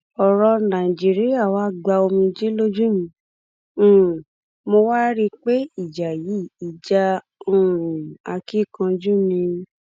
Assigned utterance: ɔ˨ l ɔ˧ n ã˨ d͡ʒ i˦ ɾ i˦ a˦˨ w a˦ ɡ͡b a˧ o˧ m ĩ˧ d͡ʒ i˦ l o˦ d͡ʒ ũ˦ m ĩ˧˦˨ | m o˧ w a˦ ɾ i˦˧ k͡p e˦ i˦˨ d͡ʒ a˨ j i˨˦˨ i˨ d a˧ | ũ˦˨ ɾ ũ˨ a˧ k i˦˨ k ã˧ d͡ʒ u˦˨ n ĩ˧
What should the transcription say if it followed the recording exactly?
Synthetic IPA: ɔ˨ ɾ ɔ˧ n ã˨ d͡ʒ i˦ ɾ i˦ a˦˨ w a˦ ɡ͡b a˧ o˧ m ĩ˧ d͡ʒ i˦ l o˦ d͡ʒ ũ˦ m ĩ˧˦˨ | m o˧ w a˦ ɾ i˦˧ k͡p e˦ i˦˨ d͡ʒ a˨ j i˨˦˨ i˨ d͡ʒ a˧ | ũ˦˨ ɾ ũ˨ a˧ k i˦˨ k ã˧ d͡ʒ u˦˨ n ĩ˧